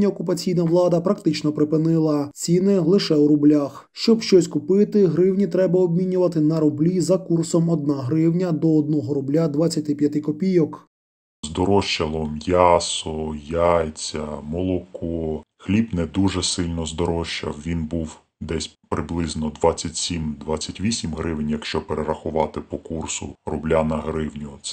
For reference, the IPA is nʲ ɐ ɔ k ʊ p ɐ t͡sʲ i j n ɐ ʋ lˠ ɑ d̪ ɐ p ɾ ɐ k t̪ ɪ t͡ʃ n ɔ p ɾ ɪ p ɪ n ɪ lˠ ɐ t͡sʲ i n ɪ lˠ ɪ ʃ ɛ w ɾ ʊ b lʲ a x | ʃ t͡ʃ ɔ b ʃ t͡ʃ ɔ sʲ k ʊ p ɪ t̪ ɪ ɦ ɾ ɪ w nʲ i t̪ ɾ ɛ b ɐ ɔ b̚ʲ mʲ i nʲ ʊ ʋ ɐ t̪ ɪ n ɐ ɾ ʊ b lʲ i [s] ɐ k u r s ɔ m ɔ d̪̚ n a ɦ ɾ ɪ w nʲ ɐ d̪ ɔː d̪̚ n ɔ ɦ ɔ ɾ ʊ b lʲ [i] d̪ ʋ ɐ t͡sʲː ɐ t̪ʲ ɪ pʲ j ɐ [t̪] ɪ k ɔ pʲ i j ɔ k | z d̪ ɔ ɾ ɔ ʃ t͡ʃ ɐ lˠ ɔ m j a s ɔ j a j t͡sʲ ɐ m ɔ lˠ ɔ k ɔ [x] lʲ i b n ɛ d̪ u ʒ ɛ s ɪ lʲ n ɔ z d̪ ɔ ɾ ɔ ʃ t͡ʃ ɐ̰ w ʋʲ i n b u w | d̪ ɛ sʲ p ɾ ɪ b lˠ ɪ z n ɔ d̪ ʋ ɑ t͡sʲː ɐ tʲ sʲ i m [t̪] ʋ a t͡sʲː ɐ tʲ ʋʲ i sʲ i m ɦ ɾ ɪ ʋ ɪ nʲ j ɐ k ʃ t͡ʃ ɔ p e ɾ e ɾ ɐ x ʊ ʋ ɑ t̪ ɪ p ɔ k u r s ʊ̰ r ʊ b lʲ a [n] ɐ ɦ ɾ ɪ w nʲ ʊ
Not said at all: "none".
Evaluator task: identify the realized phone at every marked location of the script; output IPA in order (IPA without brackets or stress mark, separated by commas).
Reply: z, a, t̪, x, d̪, n